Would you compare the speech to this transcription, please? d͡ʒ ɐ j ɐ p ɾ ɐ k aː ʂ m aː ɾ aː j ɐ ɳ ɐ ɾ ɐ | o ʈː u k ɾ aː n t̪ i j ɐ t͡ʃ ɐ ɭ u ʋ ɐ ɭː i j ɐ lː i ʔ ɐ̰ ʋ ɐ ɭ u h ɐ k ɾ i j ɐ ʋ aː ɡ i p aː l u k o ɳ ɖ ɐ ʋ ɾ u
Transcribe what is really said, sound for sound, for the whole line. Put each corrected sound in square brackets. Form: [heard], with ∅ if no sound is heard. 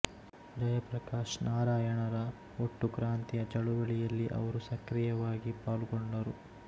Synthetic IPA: d͡ʒ ɐ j ɐ p ɾ ɐ k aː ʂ [n] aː ɾ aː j ɐ ɳ ɐ ɾ ɐ | o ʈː u k ɾ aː n t̪ i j ɐ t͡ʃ ɐ ɭ u ʋ ɐ [ɭ] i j ɐ lː i ʔ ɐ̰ ʋ ɐ [ɾ] u [s] ɐ k ɾ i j ɐ ʋ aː ɡ i p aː l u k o ɳ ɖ ɐ [∅] ɾ u